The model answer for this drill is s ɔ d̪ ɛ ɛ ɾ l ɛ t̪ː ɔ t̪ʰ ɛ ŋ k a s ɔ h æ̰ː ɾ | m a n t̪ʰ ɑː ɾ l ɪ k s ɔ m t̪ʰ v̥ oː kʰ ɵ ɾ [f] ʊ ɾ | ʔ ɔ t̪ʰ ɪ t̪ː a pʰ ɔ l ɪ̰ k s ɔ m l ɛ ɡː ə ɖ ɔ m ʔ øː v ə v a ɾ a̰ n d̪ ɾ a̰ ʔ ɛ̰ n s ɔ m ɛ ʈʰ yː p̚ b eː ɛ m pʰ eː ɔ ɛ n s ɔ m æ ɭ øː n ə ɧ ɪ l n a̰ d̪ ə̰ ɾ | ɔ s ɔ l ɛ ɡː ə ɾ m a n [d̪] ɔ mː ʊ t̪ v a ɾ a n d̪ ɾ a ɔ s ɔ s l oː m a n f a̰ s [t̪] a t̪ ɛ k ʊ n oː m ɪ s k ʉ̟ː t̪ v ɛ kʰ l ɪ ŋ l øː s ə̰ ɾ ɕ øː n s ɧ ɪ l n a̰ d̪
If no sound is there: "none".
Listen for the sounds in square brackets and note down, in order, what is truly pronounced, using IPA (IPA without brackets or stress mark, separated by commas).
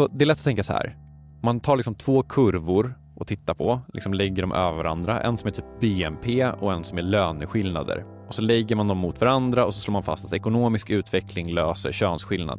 v, d̪, t̪